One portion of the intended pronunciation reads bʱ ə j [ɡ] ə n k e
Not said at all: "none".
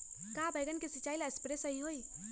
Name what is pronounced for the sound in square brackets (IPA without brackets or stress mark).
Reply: ɡ